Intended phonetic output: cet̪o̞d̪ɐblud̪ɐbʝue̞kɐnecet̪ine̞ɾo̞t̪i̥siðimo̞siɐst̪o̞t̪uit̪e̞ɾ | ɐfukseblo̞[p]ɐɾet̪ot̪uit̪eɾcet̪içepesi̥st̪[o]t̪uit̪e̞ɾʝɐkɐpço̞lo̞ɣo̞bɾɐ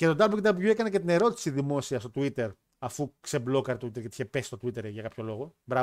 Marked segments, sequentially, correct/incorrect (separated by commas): incorrect, correct